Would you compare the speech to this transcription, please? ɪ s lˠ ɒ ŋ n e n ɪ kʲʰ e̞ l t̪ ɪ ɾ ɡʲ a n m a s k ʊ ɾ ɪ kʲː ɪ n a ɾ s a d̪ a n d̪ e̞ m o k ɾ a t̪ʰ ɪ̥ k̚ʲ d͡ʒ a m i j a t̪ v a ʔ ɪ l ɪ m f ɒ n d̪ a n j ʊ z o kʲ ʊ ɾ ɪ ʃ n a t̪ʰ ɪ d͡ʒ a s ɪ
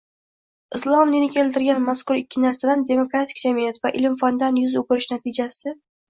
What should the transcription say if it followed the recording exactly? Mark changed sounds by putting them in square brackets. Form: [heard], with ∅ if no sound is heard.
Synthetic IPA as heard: ɪ s lˠ ɒ [m] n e n ɪ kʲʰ e̞ l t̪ ɪ ɾ ɡʲ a n m a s k ʊ ɾ ɪ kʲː ɪ n a ɾ s a d̪ a n d̪ e̞ m o k ɾ a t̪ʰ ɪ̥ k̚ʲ d͡ʒ a m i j a t̪ v a ʔ ɪ l ɪ m f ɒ n d̪ a n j ʊ z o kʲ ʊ ɾ ɪ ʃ n a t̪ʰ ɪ d͡ʒ a s ɪ